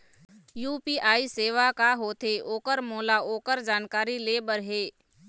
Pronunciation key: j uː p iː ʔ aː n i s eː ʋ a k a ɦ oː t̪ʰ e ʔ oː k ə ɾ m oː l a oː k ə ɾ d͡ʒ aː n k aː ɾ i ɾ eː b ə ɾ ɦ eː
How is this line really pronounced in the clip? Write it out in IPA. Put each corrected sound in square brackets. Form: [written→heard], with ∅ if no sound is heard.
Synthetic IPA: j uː p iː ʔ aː [n→∅] i s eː ʋ a k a ɦ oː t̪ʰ e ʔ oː k ə ɾ m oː l a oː k ə ɾ d͡ʒ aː n k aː ɾ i [ɾ→l] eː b ə ɾ ɦ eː